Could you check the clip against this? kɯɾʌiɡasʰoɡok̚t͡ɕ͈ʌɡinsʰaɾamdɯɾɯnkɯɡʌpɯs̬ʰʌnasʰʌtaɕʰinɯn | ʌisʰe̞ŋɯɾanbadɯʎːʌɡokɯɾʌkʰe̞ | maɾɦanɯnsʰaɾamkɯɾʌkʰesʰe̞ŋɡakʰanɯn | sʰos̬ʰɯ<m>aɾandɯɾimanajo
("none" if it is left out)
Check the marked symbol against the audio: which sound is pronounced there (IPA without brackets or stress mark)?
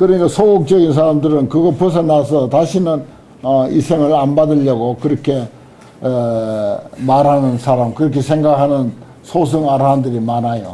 ŋ